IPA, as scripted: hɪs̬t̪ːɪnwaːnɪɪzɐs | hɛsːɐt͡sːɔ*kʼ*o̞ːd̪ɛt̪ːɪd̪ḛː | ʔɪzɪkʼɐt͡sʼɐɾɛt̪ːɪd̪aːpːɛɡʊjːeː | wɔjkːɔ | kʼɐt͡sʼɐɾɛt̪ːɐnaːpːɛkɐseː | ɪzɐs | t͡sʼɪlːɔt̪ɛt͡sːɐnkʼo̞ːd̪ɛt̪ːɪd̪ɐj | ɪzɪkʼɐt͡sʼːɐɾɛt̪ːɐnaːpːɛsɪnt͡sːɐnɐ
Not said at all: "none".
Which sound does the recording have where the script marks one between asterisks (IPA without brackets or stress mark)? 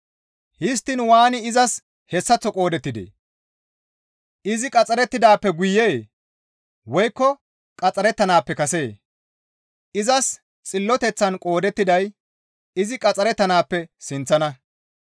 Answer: kʼ